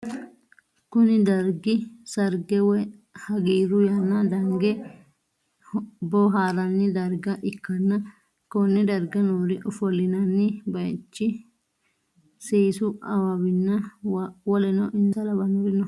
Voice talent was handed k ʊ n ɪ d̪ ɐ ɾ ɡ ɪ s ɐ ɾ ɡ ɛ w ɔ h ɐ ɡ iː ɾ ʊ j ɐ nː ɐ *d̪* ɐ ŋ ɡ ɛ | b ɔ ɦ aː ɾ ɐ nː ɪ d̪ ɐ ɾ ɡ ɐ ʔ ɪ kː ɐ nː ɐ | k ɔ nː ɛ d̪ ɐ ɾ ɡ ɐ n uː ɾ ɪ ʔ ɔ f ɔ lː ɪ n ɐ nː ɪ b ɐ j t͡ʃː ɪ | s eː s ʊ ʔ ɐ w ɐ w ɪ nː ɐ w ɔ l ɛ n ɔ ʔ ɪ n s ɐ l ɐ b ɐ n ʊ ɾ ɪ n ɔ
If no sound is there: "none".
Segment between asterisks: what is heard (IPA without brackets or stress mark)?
d̪